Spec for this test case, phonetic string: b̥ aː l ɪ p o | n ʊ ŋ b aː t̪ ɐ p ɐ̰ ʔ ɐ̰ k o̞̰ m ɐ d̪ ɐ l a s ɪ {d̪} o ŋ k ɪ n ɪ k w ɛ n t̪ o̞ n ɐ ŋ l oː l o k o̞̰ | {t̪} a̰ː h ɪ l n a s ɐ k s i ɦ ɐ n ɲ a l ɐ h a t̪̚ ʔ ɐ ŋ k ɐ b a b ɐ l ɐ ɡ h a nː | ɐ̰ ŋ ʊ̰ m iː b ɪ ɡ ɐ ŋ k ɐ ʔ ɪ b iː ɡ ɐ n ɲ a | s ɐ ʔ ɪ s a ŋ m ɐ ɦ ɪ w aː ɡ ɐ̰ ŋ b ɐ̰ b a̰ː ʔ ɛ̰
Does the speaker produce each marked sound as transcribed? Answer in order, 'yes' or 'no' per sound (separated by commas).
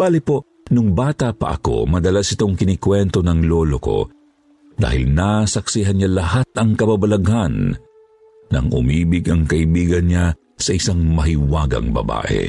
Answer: no, no